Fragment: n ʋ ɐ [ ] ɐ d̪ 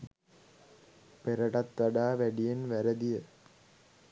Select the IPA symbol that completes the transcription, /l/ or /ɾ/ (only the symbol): ɾ